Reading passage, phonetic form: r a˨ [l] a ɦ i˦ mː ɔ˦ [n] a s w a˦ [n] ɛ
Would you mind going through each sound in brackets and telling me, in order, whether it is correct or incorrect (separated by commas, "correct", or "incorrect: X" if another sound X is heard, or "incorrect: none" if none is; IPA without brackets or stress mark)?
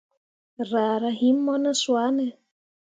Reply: incorrect: ɾ, correct, correct